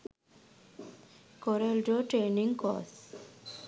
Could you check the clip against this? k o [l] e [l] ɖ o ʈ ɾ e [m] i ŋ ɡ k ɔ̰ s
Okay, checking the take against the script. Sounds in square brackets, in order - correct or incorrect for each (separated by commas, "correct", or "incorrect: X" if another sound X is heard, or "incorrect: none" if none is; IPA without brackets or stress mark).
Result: incorrect: ɾ, correct, incorrect: n